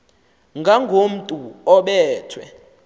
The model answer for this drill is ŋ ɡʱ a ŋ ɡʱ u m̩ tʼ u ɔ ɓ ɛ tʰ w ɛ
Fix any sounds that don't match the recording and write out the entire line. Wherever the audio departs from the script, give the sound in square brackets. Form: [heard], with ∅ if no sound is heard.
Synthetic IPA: ŋ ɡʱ a ŋ ɡʱ [o] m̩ tʼ u ɔ ɓ [ɛː] tʰ w ɛ